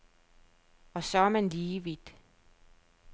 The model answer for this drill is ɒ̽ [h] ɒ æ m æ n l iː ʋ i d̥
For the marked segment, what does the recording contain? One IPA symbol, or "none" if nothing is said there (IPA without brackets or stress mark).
s